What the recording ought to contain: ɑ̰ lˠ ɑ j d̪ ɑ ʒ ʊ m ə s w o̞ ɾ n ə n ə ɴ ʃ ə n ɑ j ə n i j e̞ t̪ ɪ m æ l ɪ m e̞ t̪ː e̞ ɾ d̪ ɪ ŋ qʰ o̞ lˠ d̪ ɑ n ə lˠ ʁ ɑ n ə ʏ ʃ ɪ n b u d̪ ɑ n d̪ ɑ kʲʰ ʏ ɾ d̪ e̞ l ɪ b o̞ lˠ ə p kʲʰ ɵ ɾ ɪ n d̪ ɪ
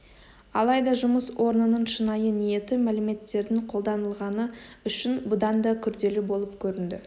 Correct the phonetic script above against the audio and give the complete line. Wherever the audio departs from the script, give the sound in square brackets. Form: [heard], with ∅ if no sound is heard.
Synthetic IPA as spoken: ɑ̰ lˠ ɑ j d̪ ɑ ʒ ʊ m ə s w o̞ ɾ n ə n ə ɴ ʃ ə n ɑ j ə n i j e̞ t̪ ɪ m æ l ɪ m e̞ t̪ː e̞ ɾ d̪ ɪ ŋ qʰ o̞ lˠ d̪ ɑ n ə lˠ ʁ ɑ n ə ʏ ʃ ɪ n b [ʊ] d̪ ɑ n d̪ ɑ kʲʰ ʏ ɾ d̪ e̞ l ɪ b o̞ lˠ ə p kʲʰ ɵ ɾ ɪ n d̪ ɪ